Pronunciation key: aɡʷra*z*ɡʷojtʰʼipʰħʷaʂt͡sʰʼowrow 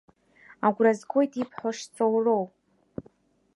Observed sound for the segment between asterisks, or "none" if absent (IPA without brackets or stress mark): z